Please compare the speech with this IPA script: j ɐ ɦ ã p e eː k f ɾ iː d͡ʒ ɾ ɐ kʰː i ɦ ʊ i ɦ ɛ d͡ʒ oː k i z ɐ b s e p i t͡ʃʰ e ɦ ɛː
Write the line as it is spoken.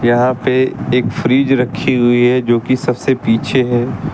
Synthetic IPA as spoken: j ɐ ɦ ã p e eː k f ɾ iː d͡ʒ ɾ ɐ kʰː i ɦ ʊ i ɦ ɛ d͡ʒ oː k i s ɐ b s e p iː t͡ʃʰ e ɦ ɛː